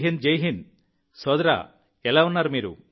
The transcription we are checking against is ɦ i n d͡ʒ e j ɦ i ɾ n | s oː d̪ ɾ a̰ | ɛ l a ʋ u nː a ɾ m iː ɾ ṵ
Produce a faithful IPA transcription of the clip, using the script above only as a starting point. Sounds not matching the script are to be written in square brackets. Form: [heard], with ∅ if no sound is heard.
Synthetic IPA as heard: ɦ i n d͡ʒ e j ɦ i [∅] n | s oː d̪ ɾ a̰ | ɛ l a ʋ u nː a ɾ m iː ɾ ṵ